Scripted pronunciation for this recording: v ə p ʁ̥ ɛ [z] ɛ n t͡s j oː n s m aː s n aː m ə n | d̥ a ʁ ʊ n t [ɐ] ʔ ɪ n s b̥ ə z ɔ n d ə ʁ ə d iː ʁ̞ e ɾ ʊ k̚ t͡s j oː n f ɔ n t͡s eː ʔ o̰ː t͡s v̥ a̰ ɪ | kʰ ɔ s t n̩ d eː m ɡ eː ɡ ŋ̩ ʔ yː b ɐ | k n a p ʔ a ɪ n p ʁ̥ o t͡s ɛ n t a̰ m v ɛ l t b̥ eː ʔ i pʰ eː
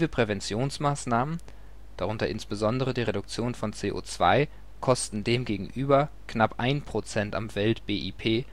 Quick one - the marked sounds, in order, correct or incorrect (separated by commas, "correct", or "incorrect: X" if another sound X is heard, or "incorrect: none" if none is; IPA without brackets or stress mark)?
incorrect: v, correct